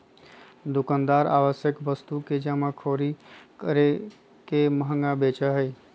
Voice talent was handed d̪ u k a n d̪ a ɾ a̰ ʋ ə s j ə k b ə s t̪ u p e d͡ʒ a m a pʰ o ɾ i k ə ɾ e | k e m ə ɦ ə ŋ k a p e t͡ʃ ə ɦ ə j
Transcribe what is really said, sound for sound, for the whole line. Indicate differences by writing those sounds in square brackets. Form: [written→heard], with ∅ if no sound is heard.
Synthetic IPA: d̪ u k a n d̪ a ɾ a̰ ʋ ə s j ə k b ə s t̪ u [p→k] e d͡ʒ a m a [pʰ→kʰ] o ɾ i k ə ɾ e | k e m ə ɦ ə ŋ [k→ɡ] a [p→b] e t͡ʃ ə ɦ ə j